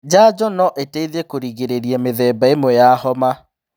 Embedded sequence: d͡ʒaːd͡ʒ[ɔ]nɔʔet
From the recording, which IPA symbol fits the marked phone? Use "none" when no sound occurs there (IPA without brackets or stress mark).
ɔ